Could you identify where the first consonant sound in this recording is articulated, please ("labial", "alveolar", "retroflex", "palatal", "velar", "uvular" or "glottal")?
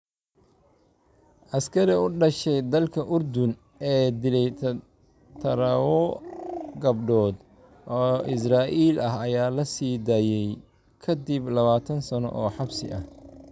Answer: glottal